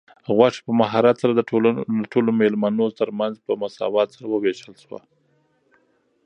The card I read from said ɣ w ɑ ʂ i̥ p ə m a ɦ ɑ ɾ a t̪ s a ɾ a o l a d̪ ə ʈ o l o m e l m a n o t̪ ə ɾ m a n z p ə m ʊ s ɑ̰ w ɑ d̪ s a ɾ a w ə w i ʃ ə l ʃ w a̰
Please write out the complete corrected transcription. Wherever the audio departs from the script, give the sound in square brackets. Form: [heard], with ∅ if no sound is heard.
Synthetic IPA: ɣ w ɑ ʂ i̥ p ə m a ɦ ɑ ɾ a t̪ s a ɾ a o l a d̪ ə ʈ o l o m e l m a n o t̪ ə ɾ m a n z p ə m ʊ s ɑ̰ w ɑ [t̪] s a ɾ a w ə w [e] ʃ ə l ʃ w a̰